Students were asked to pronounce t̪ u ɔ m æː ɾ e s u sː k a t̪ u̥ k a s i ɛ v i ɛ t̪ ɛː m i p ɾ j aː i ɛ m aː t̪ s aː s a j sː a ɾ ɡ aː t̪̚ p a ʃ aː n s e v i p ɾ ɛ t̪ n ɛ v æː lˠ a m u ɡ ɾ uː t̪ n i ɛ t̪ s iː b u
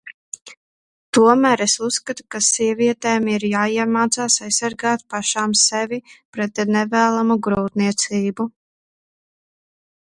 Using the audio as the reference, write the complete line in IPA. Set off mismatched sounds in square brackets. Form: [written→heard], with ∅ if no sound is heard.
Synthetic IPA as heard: t̪ u ɔ m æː ɾ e s u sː k a t̪ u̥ k a s i ɛ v i ɛ t̪ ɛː m i [p→∅] ɾ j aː i ɛ m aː t̪ s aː s a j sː a ɾ ɡ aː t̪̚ p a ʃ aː [n→m] s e v i p ɾ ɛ t̪ n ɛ v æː lˠ a m u ɡ ɾ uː t̪ n i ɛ t̪ s iː b u